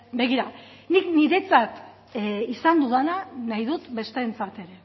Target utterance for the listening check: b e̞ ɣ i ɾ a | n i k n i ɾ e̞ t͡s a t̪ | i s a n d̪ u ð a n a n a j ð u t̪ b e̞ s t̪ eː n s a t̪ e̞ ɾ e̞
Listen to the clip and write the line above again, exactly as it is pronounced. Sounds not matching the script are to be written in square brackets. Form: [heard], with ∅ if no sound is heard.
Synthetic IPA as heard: b e̞ ɣ i ɾ a | n i k n i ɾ e̞ t͡s a t̪ | i s a n d̪ u ð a n a n a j ð u t̪ b e̞ s t̪ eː n [t͡s] a t̪ e̞ ɾ e̞

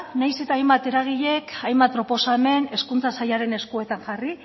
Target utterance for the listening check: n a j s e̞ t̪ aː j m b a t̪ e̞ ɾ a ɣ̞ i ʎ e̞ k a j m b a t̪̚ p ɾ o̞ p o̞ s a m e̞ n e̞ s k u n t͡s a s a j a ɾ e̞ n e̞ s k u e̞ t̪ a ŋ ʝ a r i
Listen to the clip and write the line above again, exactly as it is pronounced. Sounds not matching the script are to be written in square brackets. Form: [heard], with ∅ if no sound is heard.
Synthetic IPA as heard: n a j s e̞ t̪ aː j m b a t̪ e̞ ɾ a ɣ̞ i ʎ e̞ k a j m b a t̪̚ p ɾ o̞ p o̞ s a m e̞ n e̞ s k u n t͡s a s a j a ɾ e̞ n e̞ s k u e̞ t̪ a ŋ ʝ a r i

